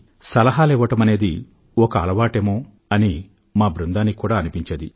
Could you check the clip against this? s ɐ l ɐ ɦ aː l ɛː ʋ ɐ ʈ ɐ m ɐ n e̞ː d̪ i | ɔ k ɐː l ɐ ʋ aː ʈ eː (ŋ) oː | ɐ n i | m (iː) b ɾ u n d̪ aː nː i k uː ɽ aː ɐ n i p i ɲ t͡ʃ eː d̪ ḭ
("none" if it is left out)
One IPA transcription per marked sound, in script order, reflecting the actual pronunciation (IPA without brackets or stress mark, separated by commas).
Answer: m, aː